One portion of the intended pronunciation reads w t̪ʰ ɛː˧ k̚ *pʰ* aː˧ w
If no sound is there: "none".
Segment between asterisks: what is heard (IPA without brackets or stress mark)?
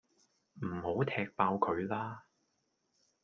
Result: p